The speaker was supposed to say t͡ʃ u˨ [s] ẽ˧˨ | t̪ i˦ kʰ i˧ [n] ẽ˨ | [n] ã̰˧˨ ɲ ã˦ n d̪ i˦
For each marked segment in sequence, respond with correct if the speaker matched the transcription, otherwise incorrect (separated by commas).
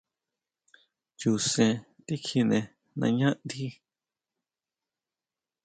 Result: correct, correct, correct